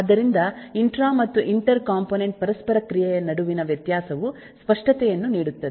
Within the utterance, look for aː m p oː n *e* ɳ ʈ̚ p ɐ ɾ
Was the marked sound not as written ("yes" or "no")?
no